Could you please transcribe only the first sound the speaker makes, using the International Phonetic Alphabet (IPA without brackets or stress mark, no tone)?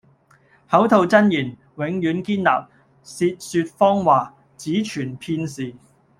h